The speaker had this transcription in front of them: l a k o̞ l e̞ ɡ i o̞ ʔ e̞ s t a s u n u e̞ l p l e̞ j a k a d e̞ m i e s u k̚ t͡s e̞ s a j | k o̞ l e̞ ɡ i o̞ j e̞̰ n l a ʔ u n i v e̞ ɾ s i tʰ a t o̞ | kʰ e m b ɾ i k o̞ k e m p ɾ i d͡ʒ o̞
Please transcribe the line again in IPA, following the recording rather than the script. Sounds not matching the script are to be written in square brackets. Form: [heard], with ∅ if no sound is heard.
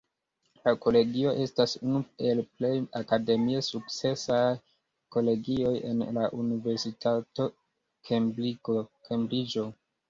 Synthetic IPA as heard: l a k o̞ l e̞ ɡ i o̞ ʔ e̞ s t a s u n u e̞ l p l e̞ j a k a d e̞ m i e s u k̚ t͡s e̞ s a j | k o̞ l e̞ ɡ i o̞ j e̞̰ n l a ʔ u n i v e̞ ɾ s i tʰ a t o̞ | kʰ e m b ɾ i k o̞ k e m [b] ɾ i d͡ʒ o̞